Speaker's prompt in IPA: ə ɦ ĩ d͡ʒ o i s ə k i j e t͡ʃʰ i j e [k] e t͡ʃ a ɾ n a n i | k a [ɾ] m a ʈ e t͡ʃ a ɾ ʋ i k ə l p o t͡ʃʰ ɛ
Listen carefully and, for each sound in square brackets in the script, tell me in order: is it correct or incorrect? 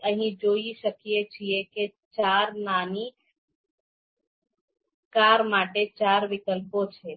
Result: correct, correct

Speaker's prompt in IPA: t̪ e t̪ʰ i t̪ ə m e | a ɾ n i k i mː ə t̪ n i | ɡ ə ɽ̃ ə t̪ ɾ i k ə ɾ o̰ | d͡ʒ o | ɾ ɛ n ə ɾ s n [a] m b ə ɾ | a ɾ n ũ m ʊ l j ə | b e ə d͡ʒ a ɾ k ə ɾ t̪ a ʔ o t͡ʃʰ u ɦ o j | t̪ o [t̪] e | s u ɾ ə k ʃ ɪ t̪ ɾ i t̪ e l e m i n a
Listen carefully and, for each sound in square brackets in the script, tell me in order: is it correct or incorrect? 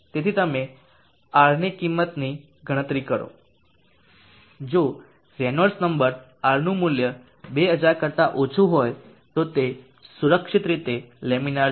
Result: incorrect: ə, correct

